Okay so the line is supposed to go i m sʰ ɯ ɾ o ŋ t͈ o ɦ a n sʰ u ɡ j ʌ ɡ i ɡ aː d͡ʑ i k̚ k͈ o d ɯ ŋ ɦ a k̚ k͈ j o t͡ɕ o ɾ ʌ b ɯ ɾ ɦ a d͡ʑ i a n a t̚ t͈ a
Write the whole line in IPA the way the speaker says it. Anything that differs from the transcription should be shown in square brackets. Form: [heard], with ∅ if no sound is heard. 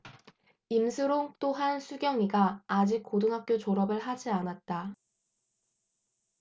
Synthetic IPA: i m sʰ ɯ ɾ o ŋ t͈ o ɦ a n sʰ u ɡ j ʌ [ŋ] i ɡ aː d͡ʑ i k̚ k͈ o d ɯ ŋ ɦ a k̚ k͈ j o t͡ɕ o ɾ ʌ b ɯ [ɭ] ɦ a d͡ʑ i a n a t̚ t͈ a